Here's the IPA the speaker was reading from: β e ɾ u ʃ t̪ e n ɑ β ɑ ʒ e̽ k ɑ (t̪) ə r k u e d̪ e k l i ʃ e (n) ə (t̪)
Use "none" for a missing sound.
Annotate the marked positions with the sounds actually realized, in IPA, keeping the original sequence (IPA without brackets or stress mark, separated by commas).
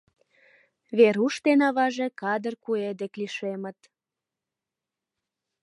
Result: d̪, m, t̪